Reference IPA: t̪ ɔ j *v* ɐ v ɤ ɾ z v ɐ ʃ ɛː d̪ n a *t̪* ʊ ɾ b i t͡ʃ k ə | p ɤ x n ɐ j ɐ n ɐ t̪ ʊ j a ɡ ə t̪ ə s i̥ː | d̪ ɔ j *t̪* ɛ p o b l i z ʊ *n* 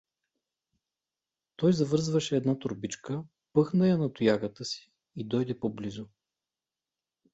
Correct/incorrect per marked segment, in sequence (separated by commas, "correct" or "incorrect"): incorrect, correct, incorrect, incorrect